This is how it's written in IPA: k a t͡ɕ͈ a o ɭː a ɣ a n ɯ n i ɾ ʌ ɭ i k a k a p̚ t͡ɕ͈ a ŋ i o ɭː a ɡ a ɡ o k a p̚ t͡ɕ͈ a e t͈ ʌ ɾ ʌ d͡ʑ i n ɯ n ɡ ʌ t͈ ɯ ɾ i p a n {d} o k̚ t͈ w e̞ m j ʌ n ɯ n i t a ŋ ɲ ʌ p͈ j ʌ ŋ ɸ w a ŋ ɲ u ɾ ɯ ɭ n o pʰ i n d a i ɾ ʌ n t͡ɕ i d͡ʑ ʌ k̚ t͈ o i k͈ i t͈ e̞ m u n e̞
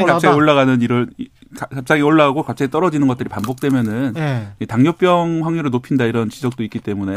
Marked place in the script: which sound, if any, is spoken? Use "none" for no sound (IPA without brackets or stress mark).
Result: b